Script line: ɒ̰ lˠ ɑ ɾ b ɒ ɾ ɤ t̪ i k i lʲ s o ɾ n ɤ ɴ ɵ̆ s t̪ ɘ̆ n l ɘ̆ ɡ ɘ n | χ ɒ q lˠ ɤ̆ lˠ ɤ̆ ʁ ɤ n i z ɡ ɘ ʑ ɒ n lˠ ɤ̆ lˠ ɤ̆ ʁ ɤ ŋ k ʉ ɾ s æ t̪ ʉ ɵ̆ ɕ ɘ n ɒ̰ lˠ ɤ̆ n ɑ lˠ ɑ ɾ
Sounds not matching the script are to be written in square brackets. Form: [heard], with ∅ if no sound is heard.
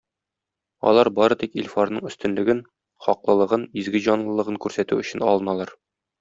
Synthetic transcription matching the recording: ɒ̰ lˠ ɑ ɾ b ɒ ɾ ɤ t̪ i k i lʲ [f] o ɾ n ɤ ɴ ɵ̆ s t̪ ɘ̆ n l ɘ̆ ɡ ɘ n | χ ɒ q lˠ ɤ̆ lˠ ɤ̆ ʁ ɤ n i z ɡ ɘ ʑ ɒ n lˠ ɤ̆ lˠ ɤ̆ ʁ ɤ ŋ k ʉ ɾ s æ t̪ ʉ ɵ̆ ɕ ɘ n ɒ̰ lˠ ɤ̆ n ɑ lˠ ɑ ɾ